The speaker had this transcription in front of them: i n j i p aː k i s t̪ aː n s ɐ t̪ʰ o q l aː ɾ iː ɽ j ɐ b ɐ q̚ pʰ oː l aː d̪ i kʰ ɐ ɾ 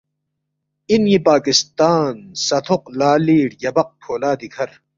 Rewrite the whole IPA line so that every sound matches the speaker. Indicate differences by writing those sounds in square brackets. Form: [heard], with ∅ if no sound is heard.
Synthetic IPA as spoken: i n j i p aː k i s t̪ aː n s ɐ t̪ʰ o q l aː [l] iː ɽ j ɐ b ɐ q̚ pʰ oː l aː d̪ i kʰ ɐ ɾ